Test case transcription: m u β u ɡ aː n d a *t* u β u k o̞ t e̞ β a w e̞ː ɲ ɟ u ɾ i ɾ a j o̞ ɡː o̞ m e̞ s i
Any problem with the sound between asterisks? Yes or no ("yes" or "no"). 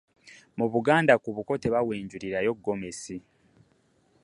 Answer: yes